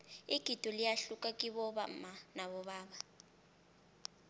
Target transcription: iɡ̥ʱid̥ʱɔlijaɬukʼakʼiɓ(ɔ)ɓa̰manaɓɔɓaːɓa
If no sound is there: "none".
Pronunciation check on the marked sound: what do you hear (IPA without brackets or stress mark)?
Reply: ɔ